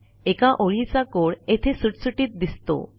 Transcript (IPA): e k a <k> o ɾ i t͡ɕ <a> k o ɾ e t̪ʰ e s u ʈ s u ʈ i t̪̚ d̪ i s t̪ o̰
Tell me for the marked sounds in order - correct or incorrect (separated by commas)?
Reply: incorrect, correct